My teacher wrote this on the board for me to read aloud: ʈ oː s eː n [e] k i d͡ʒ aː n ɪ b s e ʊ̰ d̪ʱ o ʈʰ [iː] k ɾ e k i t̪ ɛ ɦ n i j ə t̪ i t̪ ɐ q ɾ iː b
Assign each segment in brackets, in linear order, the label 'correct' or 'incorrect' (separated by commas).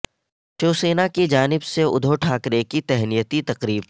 incorrect, incorrect